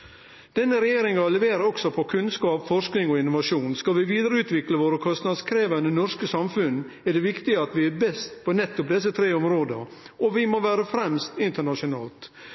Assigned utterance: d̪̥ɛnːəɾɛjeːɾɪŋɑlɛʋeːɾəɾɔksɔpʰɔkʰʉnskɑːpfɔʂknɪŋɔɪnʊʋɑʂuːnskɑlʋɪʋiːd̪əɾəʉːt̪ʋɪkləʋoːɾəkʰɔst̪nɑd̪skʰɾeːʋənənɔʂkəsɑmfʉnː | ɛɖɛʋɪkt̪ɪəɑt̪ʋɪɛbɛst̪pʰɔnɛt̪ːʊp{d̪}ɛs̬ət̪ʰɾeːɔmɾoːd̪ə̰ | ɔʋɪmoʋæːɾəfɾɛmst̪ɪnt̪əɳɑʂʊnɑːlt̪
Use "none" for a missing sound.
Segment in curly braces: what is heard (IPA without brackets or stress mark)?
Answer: d̪